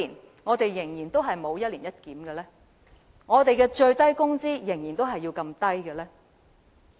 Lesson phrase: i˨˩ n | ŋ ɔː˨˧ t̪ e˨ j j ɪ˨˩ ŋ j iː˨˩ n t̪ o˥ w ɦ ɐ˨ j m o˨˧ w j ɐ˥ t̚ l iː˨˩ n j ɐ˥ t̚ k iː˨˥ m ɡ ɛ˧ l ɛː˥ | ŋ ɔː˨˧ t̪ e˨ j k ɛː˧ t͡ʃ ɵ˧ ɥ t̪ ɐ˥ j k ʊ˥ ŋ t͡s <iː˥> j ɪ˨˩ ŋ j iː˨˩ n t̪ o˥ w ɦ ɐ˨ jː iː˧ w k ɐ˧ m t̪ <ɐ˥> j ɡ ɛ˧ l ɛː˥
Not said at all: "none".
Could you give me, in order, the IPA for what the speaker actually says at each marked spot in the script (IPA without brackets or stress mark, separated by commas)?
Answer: iː˥, ɐ˥